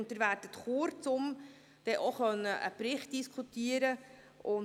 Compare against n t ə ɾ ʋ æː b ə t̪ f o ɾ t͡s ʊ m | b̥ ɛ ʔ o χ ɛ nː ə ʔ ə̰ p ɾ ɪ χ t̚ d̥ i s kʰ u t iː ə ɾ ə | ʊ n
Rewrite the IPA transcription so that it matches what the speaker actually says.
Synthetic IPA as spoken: n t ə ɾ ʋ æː d ə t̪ χ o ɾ t͡s ʊ m | d̥ ɛ ʔ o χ œ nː ə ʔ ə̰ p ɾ ɪ χ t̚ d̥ i s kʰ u t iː ə ɾ ə | ʊ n